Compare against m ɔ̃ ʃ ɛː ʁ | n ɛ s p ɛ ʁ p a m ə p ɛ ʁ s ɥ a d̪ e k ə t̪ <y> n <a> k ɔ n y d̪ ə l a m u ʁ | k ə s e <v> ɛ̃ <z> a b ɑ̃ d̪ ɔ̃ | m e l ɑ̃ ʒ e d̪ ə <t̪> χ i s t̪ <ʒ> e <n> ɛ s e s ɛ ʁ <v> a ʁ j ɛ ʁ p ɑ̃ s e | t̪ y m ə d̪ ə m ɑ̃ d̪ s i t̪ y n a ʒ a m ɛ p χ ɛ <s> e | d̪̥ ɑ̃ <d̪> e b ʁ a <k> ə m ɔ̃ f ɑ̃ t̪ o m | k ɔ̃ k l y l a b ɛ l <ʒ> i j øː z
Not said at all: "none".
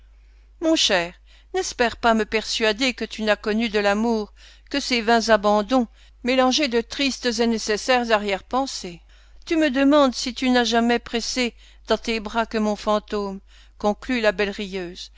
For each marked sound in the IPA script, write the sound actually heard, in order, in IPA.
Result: y, a, v, z, t̪, z, n, z, s, t̪, k, ʁ

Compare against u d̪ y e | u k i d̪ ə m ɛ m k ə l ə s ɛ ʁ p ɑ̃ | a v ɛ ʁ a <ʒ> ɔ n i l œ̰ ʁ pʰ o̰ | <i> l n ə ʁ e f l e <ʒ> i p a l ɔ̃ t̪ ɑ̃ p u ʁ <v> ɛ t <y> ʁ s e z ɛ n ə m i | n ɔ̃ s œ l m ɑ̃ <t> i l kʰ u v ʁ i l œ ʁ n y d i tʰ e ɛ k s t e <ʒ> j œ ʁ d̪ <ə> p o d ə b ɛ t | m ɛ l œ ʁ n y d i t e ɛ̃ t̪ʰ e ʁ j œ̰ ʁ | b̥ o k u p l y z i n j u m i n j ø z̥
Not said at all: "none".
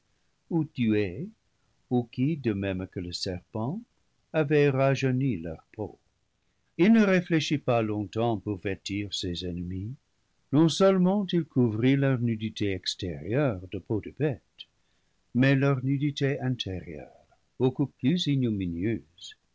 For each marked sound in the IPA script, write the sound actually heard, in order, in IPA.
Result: ʒ, i, ʃ, v, i, t, ʁ, ə

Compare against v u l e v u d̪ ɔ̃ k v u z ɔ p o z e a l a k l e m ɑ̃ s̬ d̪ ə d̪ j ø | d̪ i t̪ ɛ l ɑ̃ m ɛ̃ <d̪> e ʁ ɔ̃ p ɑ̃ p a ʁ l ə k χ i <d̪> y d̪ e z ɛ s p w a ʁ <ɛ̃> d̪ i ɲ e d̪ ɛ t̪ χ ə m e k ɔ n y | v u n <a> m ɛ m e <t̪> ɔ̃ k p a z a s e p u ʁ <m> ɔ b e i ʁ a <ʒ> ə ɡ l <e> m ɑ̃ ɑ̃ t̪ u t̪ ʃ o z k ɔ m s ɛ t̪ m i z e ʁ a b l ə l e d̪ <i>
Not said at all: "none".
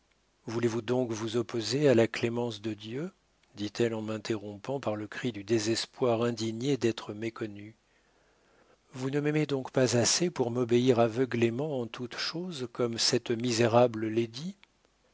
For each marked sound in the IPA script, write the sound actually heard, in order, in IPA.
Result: t̪, d̪, ɛ̃, ə, d̪, m, v, e, i

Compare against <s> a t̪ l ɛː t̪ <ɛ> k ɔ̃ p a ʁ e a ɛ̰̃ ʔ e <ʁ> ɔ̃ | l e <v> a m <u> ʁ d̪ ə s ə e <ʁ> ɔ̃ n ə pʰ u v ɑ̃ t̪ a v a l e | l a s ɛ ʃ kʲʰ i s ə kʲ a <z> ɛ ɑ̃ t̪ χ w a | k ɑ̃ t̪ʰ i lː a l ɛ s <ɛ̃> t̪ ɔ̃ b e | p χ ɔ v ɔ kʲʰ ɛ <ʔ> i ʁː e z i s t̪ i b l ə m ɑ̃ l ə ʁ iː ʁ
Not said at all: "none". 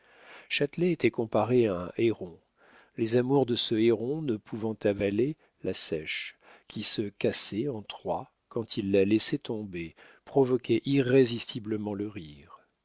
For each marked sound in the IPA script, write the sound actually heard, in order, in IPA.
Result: ʃ, ɛ, ʁ, z, u, ʁ, s, ɛ, ʔ

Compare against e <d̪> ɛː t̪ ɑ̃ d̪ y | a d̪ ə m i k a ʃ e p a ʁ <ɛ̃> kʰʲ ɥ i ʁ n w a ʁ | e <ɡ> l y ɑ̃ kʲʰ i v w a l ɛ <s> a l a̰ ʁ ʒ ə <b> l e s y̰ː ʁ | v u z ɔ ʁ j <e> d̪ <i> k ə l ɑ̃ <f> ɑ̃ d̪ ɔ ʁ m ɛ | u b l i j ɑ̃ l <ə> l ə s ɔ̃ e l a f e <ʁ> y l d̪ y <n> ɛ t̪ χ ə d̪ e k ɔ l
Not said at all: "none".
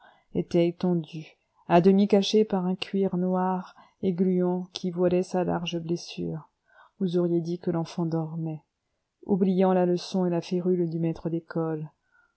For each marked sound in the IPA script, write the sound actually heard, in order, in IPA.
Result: t̪, ɛ̃, ɡ, s, b, e, i, f, a, ʁ, m

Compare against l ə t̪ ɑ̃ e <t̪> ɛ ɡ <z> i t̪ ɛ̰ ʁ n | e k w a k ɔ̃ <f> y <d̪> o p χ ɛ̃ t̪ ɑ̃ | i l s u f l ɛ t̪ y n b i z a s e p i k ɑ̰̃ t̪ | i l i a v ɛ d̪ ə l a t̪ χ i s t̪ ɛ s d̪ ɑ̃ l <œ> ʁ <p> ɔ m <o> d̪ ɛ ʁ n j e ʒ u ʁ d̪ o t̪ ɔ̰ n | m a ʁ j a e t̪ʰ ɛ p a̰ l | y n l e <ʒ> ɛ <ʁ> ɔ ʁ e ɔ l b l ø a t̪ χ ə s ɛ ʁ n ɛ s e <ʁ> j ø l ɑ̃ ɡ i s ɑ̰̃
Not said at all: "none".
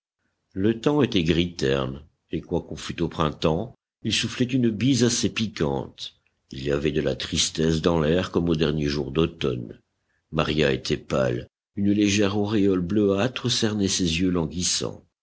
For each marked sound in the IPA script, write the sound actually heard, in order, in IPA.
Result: t̪, ʁ, f, t̪, ɛ, k, o, ʒ, ʁ, z

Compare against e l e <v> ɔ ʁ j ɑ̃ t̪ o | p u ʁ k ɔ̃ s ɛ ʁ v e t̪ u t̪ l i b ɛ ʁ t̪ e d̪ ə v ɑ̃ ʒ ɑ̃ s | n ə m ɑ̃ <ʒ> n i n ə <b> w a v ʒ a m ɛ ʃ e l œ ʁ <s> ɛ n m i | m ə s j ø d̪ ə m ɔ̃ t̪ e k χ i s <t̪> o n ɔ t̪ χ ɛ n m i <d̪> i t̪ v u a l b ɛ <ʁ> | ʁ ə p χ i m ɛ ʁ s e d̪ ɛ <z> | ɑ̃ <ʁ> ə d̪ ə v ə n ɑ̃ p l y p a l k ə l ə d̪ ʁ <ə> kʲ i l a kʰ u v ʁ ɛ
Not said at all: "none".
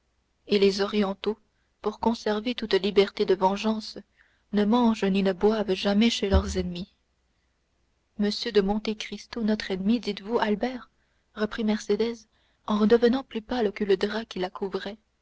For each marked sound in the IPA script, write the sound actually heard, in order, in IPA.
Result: z, ʒ, b, z, t̪, d̪, ʁ, z, ʁ, a

